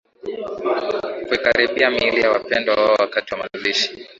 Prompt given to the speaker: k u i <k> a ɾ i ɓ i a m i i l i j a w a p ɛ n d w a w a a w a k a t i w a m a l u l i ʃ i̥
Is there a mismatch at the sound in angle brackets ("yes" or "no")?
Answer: no